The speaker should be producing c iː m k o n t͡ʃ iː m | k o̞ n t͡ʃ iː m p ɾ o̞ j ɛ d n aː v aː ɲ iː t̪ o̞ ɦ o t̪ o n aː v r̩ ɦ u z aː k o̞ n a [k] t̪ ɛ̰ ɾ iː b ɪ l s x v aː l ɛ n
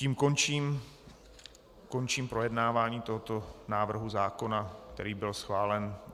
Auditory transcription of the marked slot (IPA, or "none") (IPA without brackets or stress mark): k